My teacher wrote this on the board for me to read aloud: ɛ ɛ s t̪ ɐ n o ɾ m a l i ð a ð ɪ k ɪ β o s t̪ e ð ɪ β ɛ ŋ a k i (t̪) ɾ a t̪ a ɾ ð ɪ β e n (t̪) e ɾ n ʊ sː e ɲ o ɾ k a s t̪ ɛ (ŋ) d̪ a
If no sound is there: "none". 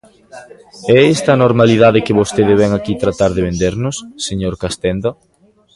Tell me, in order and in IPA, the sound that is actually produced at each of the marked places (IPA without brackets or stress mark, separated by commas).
t̪, d̪, n